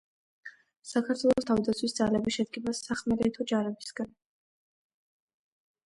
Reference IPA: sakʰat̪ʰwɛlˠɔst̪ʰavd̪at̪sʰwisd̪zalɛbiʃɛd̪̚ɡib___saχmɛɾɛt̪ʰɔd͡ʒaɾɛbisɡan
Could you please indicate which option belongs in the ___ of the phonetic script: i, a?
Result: a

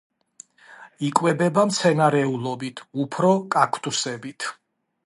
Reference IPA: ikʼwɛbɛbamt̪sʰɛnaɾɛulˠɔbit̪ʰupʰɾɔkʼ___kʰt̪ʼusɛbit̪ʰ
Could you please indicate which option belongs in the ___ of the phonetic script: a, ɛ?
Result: a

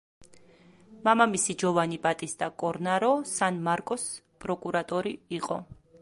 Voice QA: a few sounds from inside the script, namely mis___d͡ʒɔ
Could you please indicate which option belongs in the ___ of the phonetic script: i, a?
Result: i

